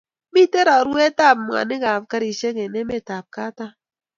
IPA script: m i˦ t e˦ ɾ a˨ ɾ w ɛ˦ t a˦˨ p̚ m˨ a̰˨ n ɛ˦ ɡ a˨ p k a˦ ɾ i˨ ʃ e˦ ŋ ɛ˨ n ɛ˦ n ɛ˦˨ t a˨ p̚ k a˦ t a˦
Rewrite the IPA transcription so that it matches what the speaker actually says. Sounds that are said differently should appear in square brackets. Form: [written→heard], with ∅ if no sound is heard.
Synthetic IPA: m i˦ t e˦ ɾ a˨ ɾ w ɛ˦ t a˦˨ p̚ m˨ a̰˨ n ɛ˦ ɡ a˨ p k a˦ ɾ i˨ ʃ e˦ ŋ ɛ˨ n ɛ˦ [n→m] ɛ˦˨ t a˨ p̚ k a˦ t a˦